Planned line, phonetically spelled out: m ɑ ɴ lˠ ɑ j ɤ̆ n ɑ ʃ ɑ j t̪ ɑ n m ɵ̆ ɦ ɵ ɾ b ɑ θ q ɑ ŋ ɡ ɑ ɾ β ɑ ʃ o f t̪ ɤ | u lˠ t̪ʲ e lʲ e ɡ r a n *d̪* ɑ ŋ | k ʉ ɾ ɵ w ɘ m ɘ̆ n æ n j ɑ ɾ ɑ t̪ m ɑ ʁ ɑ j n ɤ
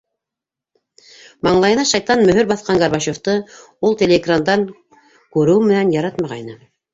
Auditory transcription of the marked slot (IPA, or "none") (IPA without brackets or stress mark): d̪